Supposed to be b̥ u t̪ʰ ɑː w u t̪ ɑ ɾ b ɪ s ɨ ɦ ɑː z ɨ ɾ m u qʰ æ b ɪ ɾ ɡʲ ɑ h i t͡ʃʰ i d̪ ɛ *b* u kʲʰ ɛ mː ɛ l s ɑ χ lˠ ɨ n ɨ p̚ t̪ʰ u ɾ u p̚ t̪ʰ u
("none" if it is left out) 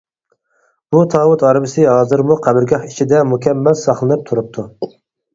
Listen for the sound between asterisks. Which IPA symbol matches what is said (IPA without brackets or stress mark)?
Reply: m